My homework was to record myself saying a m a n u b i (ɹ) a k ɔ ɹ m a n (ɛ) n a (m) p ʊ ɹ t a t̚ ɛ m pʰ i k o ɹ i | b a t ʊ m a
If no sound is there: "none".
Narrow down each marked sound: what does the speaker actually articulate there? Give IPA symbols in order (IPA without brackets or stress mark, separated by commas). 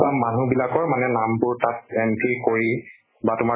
l, ɛ, m